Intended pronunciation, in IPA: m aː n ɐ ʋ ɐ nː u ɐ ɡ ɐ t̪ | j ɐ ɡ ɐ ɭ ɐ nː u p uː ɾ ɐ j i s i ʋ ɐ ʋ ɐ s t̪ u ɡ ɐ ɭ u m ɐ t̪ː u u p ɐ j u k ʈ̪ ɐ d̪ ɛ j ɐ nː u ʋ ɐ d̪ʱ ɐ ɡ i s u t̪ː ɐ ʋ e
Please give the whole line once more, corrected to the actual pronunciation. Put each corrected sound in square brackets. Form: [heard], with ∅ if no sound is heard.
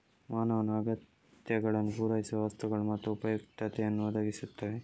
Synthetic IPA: m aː n ɐ ʋ ɐ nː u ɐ ɡ ɐ t̪ | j ɐ ɡ ɐ ɭ ɐ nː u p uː ɾ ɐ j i s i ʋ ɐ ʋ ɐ s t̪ u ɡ ɐ ɭ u m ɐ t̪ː u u p ɐ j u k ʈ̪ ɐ [t̪] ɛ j ɐ nː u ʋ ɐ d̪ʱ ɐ ɡ i s u t̪ː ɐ ʋ e

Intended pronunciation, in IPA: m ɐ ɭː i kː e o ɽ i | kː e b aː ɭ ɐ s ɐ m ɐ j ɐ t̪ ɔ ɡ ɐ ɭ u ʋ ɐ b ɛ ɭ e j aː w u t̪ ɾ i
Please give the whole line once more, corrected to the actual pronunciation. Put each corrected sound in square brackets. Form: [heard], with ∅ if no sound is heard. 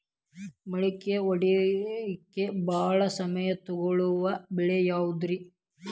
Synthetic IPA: m ɐ [ɭ] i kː e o ɽ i | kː e b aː ɭ ɐ s ɐ m ɐ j ɐ t̪ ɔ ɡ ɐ ɭ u ʋ ɐ b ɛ ɭ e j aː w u [d̪] ɾ i

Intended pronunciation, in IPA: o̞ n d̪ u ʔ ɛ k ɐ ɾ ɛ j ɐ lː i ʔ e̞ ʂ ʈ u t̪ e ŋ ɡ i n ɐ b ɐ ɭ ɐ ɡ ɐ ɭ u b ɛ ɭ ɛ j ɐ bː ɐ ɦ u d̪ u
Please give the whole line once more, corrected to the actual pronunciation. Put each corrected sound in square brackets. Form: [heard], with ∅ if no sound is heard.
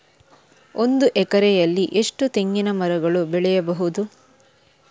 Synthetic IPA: o̞ n d̪ u ʔ ɛ k ɐ ɾ ɛ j ɐ lː i ʔ e̞ ʂ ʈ u t̪ e ŋ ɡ i n ɐ [m] ɐ [ɾ] ɐ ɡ ɐ ɭ u b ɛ ɭ ɛ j ɐ [b] ɐ ɦ u d̪ u

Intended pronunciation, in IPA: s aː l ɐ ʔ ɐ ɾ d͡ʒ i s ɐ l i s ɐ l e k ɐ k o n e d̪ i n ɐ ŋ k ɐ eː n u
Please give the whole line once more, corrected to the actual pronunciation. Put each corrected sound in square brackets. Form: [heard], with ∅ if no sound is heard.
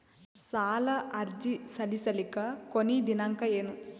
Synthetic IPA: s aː l ɐ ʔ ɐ ɾ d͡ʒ i s ɐ l i s ɐ l [i] k ɐ k o n [i] d̪ i n ɐ ŋ k ɐ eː n u

